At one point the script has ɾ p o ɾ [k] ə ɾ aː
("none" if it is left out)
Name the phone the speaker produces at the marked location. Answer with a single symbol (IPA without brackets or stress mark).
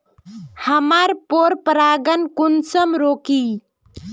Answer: p